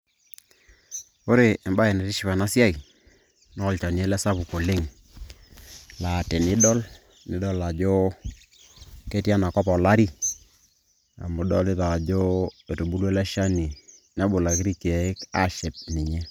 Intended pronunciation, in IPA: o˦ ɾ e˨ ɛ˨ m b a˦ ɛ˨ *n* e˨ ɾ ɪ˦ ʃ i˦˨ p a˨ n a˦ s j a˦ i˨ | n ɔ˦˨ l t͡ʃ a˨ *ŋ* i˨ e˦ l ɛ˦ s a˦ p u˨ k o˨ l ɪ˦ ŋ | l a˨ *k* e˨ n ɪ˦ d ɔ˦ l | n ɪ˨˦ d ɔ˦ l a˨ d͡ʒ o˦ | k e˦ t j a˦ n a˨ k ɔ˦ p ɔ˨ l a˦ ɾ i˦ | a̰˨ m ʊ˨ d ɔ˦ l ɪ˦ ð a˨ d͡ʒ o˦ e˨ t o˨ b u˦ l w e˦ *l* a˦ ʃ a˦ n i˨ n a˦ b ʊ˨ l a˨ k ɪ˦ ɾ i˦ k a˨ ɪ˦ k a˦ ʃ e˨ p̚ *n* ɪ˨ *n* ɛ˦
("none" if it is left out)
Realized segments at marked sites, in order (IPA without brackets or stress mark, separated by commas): n, n, t, l, n, ɲ